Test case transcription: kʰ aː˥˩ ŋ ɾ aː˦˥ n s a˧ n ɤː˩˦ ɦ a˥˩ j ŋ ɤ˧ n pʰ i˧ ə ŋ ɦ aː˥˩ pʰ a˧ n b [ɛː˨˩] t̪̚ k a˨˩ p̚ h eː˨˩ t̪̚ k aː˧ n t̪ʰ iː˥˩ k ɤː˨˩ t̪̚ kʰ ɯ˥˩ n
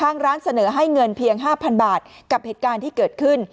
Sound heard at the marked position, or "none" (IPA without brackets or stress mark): aː˨˩